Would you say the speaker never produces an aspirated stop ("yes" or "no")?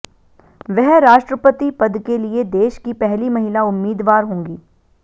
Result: yes